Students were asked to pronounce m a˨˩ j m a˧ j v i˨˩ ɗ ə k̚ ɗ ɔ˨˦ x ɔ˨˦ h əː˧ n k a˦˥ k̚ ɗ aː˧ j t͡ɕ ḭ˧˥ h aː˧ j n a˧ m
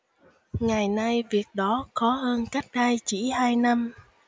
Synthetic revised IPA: ŋ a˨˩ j n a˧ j v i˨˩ ə k̚ ɗ ɔ˨˦ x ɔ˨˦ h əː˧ n k a˦˥ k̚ ɗ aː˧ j t͡ɕ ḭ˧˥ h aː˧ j n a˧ m